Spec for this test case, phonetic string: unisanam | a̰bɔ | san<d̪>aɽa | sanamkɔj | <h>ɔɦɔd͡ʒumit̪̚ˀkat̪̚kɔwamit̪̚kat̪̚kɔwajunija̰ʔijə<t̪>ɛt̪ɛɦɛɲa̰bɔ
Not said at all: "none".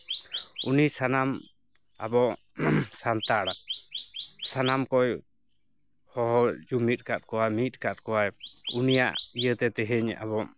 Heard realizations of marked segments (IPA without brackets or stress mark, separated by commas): t̪, h, t̪